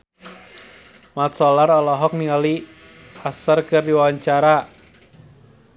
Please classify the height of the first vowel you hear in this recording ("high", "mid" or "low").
low